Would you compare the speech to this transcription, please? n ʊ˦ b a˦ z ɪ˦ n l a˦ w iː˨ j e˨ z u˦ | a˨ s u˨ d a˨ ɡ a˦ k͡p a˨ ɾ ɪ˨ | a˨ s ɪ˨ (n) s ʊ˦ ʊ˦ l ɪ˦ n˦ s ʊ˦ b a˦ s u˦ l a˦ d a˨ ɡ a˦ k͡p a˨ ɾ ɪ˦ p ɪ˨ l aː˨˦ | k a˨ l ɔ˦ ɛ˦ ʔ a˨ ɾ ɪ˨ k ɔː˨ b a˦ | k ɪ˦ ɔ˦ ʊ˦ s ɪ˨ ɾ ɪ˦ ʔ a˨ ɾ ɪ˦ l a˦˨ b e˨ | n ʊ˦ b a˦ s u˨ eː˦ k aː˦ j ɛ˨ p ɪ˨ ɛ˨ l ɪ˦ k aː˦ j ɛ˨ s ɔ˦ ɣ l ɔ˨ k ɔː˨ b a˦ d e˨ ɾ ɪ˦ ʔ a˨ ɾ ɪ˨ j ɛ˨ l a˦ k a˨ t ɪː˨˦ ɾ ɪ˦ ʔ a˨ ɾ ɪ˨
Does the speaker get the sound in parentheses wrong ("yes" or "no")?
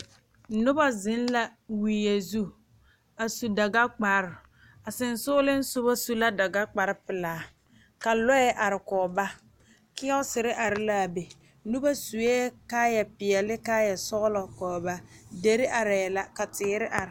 no